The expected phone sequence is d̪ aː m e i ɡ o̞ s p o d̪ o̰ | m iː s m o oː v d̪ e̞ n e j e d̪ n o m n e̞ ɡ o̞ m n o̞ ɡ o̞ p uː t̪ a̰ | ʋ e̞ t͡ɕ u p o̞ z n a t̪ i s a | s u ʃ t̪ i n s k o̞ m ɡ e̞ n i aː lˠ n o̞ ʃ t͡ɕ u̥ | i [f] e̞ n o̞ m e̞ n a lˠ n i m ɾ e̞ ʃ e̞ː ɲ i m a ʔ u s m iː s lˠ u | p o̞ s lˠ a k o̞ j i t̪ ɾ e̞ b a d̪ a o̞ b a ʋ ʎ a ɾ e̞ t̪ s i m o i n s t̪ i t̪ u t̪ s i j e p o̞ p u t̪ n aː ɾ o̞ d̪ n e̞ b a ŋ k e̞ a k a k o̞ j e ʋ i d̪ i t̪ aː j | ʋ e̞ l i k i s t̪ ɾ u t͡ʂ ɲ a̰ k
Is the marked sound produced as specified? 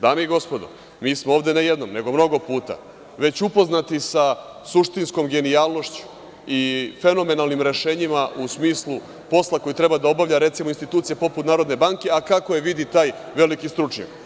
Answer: yes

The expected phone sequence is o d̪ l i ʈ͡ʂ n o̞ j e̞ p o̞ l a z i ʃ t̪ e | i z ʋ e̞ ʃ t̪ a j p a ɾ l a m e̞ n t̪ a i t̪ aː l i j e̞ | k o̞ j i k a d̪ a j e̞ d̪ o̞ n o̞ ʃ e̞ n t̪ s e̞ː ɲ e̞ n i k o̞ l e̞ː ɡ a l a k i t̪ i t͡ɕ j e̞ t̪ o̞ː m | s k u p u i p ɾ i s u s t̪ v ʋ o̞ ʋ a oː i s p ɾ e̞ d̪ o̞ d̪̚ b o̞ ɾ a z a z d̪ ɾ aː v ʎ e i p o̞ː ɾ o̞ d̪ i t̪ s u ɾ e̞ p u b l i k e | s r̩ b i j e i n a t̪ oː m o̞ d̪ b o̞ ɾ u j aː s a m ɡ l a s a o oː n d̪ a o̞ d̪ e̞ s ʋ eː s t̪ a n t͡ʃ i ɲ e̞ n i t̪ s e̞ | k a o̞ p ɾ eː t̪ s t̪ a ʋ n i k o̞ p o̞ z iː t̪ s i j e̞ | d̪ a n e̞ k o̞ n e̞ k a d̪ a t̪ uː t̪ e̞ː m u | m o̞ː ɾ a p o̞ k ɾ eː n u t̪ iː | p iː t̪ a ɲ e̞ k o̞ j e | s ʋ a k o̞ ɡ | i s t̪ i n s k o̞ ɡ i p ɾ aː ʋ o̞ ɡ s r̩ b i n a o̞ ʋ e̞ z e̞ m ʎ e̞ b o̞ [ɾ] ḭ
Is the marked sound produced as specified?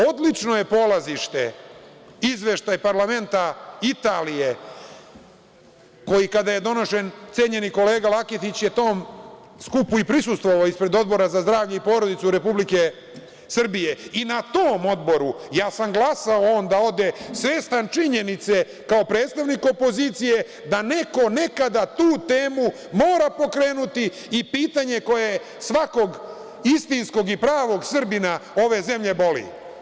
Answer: no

